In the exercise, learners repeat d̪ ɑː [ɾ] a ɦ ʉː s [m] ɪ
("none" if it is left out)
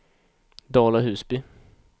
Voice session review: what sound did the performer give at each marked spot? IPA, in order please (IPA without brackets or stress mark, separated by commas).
l, b